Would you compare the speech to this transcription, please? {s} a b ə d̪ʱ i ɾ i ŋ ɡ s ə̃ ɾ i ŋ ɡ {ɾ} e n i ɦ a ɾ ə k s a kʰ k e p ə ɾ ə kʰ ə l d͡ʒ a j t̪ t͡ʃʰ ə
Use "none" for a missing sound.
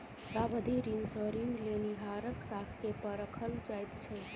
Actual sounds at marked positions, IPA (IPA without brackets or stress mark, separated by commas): s, l